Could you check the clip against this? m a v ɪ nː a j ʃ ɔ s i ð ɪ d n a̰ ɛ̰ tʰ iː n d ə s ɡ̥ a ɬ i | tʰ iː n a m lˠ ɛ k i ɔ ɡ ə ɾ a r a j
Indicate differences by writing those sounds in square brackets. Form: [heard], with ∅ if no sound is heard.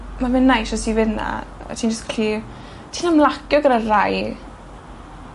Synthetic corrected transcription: m a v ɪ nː a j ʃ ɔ s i [v] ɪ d n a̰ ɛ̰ tʰ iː n [d͡ʒ] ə s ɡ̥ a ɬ i | tʰ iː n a m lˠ [a] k [j] ɔ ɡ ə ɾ a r a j